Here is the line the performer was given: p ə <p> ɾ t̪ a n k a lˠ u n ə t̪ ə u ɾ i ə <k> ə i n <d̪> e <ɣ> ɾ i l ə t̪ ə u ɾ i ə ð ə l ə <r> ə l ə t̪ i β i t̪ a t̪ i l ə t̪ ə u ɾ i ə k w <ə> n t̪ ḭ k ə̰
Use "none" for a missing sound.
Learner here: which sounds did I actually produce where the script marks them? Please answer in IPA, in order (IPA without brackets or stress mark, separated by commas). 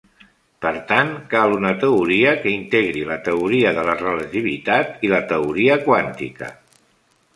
none, k, t̪, ɣ, r, a